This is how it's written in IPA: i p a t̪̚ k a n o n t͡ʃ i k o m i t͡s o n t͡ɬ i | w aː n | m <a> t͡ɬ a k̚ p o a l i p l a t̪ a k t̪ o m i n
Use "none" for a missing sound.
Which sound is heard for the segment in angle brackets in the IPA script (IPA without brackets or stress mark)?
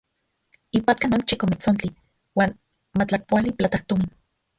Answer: a